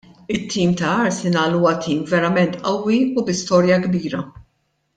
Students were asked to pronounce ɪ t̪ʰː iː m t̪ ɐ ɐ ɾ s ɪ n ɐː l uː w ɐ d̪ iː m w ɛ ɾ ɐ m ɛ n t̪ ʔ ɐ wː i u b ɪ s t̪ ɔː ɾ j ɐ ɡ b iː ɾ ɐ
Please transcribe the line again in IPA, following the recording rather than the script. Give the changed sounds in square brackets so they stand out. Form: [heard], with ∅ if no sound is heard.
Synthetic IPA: ɪ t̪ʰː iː m t̪ ɐ ɐ ɾ s ɪ n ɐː l uː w ɐ [t̪] iː m [v] ɛ ɾ ɐ m ɛ n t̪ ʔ ɐ wː i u b ɪ s t̪ ɔː ɾ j ɐ ɡ b iː ɾ ɐ